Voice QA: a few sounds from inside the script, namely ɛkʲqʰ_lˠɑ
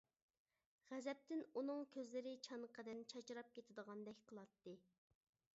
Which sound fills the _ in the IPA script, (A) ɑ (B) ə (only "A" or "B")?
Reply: B